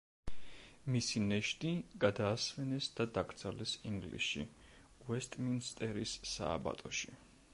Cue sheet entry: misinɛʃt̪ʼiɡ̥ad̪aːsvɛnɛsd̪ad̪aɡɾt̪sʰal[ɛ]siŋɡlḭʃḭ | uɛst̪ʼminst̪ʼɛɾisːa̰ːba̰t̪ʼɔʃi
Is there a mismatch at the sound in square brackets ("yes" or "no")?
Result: no